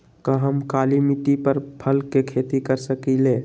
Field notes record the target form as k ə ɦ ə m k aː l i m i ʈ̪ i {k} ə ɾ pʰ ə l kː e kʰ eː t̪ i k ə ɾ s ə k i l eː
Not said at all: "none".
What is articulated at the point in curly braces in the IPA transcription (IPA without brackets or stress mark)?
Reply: p